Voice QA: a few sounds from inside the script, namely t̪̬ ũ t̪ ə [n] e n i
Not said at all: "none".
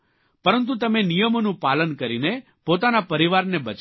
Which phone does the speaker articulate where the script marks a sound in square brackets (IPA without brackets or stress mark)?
m